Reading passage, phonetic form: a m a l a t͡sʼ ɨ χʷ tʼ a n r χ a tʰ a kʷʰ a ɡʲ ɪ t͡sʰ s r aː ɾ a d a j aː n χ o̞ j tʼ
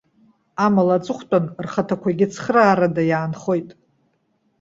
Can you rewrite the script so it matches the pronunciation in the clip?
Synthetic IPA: a m a l a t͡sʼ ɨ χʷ tʼ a n r χ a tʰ a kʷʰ a ɡʲ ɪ t͡sʰ χ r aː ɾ a d a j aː n χ o̞ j tʼ